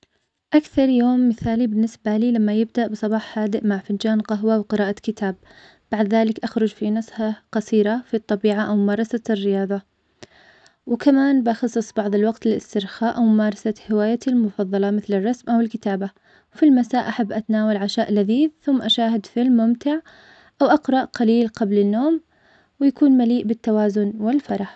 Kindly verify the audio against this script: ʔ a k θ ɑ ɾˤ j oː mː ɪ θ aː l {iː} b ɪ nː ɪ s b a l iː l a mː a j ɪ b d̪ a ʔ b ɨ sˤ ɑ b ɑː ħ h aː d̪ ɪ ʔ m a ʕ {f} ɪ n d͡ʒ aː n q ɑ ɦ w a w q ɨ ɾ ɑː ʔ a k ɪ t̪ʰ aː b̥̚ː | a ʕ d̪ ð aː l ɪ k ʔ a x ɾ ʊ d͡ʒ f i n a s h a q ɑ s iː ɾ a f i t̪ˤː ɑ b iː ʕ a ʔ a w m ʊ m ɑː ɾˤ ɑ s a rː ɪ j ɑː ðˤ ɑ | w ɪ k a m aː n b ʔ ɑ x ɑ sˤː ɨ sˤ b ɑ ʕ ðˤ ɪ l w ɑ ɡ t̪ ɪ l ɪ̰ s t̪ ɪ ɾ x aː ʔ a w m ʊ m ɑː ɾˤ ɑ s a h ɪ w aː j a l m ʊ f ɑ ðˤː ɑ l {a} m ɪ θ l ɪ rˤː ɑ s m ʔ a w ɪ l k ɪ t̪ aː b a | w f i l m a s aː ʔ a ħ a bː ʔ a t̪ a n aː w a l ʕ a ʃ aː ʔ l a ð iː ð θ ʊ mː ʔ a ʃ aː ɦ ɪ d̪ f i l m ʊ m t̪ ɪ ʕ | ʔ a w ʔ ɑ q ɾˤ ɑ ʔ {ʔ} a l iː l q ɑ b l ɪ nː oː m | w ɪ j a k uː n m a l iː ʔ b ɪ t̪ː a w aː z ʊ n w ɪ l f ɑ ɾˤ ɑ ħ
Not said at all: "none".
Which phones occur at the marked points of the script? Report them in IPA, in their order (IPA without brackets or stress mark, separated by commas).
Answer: i, f, ɑ, q